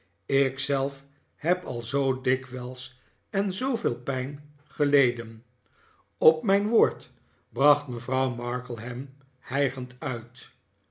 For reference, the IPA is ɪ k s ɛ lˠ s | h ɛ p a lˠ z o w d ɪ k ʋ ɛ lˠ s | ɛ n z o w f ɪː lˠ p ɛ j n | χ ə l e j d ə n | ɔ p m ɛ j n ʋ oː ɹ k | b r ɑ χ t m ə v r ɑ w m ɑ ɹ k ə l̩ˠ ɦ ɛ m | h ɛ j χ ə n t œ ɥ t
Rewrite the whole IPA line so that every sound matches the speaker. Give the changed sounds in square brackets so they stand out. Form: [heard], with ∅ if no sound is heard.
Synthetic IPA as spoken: ɪ k s ɛ lˠ [f] | h ɛ p [ɑ] lˠ z o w d ɪ k ʋ ɛ lˠ s | ɛ n z o w [v] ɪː lˠ p ɛ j n | χ ə l e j d ə n | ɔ p m ɛ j n ʋ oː ɹ [t] | b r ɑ χ t m ə v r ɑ w m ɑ ɹ k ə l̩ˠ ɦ ɛ m | h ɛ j χ ə n t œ ɥ t